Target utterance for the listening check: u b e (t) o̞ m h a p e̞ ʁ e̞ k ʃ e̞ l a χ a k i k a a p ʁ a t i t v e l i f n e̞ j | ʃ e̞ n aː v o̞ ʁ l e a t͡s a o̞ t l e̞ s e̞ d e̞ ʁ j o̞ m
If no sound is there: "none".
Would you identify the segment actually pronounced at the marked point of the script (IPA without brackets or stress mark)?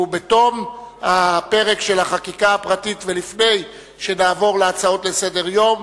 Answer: t